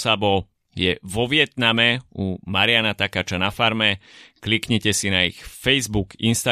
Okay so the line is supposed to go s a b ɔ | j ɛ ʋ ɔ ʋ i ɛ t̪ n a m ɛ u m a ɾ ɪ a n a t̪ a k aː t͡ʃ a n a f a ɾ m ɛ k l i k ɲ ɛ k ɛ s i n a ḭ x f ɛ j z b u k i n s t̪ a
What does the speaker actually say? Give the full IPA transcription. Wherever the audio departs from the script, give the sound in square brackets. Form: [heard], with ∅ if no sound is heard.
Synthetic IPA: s a b ɔ | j ɛ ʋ ɔ ʋ [ɪ] ɛ t̪ n a m ɛ u m a ɾ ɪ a n a t̪ a k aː t͡ʃ a n a f a ɾ m ɛ k l i k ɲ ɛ [c] ɛ s i n a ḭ x f ɛ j z b u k i n s t̪ a